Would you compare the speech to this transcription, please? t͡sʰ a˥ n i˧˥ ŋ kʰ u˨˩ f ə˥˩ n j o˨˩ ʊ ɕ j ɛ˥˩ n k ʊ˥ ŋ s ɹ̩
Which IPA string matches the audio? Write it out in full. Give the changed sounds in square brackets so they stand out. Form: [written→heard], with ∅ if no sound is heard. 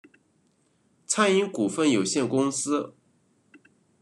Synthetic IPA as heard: t͡sʰ a˥ n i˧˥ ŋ [kʰ→k] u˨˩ f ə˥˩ n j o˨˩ ʊ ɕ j ɛ˥˩ n k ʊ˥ ŋ s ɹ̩